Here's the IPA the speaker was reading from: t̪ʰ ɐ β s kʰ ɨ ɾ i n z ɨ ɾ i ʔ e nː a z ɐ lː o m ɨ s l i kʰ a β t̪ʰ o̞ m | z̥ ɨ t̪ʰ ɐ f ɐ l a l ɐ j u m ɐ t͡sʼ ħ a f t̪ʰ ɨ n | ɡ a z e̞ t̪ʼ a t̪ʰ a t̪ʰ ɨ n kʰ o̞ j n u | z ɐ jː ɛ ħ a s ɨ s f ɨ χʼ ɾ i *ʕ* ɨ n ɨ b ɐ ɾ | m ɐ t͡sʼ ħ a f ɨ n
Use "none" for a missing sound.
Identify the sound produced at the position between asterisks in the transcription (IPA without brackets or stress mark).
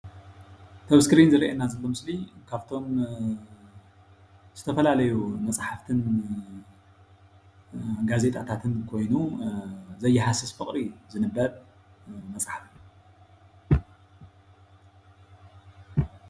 z